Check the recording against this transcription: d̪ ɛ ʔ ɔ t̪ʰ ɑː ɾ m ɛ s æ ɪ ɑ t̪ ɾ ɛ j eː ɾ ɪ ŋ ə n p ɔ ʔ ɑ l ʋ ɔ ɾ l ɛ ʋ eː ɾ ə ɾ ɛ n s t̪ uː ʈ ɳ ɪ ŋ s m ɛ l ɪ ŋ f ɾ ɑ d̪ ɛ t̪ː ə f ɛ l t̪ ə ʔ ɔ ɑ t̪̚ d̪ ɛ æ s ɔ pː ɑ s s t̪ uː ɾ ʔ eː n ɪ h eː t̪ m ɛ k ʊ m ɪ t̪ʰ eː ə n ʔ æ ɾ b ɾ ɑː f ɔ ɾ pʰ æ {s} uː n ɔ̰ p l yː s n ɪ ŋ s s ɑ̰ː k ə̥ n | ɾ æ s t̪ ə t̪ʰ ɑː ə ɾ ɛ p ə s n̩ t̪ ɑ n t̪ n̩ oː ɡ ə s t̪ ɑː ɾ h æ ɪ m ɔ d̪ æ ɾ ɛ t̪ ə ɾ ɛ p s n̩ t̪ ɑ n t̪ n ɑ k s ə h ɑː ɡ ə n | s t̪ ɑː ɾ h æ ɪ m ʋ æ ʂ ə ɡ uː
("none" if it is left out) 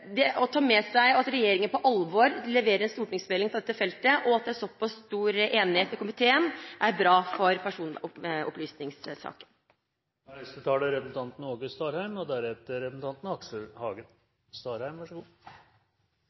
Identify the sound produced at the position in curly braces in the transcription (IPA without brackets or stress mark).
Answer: ʂ